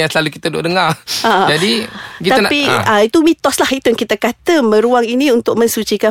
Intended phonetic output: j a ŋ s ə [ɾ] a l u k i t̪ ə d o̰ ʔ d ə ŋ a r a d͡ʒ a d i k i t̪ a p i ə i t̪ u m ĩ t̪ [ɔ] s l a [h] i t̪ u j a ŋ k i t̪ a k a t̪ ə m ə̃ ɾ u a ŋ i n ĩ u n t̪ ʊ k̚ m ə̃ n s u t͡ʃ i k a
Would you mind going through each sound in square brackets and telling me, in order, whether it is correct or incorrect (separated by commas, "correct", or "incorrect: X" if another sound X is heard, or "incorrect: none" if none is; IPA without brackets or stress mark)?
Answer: incorrect: l, correct, correct